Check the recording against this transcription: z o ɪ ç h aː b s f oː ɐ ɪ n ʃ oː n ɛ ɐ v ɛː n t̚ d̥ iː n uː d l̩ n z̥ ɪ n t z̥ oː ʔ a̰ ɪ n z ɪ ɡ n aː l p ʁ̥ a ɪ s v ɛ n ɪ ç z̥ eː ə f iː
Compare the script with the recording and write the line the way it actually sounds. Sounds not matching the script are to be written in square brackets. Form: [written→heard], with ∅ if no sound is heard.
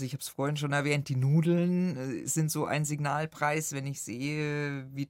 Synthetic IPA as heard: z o ɪ ç h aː b s f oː ɐ ɪ n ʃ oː n ɛ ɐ v ɛː n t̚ d̥ iː n uː d l̩ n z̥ ɪ n t z̥ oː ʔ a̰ ɪ n z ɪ ɡ n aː l p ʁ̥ a ɪ s v ɛ n ɪ ç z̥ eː ə [f→v] iː